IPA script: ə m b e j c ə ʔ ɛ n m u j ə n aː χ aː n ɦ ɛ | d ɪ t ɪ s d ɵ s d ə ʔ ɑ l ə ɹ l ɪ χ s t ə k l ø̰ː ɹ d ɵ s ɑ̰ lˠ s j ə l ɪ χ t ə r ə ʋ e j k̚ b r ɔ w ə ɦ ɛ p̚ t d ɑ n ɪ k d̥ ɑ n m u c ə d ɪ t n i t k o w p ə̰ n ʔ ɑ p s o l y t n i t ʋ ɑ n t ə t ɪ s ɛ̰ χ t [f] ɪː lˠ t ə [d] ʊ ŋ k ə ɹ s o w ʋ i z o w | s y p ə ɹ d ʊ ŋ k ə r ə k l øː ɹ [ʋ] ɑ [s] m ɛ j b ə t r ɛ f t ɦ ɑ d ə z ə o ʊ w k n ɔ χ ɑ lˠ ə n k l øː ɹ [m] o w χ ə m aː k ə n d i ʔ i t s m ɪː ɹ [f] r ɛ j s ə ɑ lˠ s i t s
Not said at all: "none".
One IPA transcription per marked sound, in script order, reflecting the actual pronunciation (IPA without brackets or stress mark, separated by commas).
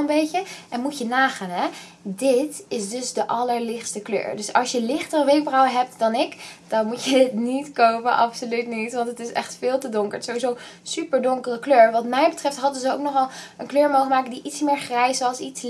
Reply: f, d, ʋ, t, m, χ